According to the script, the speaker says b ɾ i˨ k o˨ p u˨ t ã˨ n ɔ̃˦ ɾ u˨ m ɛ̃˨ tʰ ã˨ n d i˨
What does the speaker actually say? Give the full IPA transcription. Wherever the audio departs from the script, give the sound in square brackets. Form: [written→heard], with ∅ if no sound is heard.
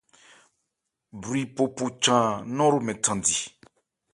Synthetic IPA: b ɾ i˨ [k→p] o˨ p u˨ [t→t͡ʃ] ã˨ n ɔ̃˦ ɾ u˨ m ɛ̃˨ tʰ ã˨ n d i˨